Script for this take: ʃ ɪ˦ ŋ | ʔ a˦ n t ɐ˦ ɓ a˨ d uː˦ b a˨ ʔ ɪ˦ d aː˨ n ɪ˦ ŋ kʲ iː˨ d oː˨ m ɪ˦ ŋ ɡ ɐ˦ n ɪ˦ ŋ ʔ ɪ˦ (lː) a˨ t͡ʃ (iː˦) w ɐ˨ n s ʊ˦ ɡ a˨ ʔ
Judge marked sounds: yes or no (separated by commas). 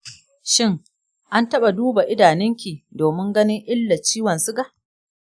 yes, yes